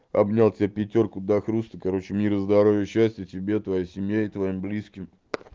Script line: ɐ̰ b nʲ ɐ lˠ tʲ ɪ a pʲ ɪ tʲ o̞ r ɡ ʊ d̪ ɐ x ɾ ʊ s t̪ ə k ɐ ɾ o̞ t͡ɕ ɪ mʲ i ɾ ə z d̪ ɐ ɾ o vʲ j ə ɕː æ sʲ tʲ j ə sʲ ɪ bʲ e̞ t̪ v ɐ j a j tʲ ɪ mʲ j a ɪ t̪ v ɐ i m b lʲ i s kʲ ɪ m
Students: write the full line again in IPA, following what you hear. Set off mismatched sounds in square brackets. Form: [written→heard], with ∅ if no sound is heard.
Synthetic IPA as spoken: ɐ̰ b nʲ [ɐ→a] lˠ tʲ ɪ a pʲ ɪ tʲ o̞ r [ɡ→k] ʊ d̪ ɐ x ɾ [ʊ→u] s t̪ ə k ɐ ɾ o̞ t͡ɕ ɪ mʲ i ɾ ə z d̪ ɐ ɾ o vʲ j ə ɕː æ sʲ tʲ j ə [sʲ→tʲ] ɪ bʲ e̞ t̪ v ɐ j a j [tʲ→sʲ] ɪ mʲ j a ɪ t̪ v ɐ i m b lʲ i s kʲ ɪ m